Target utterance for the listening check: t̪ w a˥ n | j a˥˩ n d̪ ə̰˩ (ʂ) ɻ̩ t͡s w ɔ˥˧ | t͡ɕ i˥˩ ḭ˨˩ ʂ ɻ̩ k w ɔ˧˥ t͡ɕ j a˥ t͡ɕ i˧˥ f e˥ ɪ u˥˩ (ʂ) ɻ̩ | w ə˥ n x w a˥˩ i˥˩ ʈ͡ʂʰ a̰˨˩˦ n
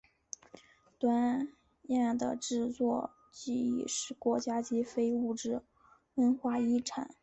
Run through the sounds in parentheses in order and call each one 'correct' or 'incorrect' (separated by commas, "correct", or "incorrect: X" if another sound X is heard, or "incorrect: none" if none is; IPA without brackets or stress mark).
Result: incorrect: ʈ͡ʂ, incorrect: ʈ͡ʂ